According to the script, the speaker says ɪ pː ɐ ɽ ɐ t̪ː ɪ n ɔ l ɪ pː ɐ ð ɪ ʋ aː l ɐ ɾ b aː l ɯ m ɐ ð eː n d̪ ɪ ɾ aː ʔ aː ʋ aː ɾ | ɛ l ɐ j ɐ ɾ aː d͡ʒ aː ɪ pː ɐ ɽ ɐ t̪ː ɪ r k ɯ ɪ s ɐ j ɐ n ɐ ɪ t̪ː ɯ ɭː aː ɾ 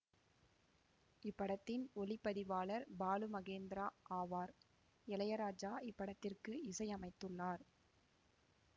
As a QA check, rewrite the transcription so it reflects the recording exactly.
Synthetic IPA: ɪ pː ɐ ɽ ɐ t̪ː ɪ n ɔ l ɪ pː ɐ ð ɪ ʋ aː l ɐ ɾ b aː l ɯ m ɐ ɣ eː n d̪ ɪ ɾ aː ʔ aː ʋ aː ɾ | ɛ l ɐ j ɐ ɾ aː d͡ʒ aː ɪ pː ɐ ɽ ɐ t̪ː ɪ r k ɯ ɪ s ɐ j ɐ m ɐ ɪ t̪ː ɯ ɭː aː ɾ